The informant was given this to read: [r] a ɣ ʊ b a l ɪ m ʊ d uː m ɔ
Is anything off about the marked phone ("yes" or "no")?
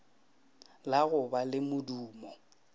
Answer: yes